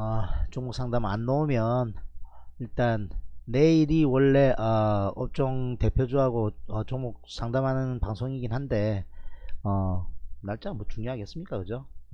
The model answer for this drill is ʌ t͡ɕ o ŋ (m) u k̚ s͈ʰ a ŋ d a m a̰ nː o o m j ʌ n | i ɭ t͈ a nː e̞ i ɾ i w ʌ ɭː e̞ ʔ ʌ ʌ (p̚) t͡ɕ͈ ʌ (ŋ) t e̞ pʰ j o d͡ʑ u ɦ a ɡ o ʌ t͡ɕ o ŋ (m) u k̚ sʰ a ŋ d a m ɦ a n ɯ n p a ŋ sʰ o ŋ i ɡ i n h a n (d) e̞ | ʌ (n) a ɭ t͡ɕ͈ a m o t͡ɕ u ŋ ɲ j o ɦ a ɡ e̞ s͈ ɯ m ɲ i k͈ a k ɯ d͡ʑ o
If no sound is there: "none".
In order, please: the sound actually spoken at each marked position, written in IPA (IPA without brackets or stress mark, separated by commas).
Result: m, p̚, ŋ, m, d, n